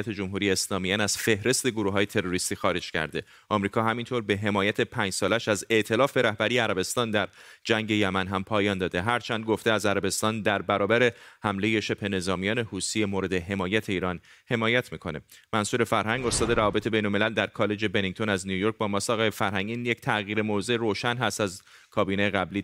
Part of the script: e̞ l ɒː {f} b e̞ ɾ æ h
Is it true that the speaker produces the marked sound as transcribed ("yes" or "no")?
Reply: yes